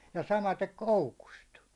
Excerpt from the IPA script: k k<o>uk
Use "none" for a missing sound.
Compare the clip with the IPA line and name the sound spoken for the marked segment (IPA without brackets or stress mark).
o